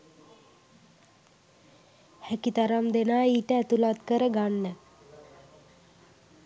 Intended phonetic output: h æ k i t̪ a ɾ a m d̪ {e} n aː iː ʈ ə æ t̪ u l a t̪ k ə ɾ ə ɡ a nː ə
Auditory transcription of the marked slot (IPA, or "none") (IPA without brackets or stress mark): e